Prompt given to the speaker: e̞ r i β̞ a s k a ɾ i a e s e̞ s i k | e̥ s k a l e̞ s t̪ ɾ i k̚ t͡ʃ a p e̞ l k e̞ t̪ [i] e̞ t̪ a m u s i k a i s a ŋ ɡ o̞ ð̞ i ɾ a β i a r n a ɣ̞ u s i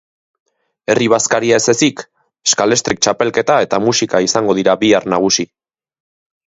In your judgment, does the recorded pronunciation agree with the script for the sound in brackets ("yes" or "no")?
no